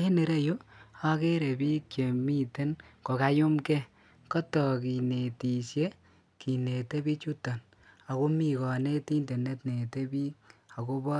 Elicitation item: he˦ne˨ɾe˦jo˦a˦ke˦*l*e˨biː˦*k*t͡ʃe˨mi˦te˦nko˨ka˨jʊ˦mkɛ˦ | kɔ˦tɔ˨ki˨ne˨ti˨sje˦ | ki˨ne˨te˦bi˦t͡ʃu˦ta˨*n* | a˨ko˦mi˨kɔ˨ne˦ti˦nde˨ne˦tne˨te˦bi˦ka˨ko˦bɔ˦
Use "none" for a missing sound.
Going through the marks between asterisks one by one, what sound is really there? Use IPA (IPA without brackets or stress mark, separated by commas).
ɾ, k, n